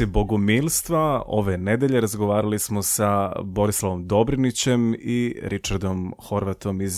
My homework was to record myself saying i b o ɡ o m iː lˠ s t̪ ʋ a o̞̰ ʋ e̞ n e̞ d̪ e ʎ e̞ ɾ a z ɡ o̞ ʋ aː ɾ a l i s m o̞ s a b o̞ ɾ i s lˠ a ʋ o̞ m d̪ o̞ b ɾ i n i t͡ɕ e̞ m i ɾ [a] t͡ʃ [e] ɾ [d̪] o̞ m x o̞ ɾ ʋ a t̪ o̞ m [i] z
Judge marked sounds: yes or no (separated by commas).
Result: no, no, yes, yes